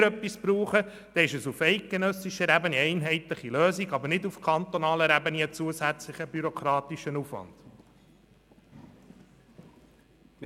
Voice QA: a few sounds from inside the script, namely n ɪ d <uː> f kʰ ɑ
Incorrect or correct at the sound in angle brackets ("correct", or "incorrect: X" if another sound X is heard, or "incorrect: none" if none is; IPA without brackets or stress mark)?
incorrect: u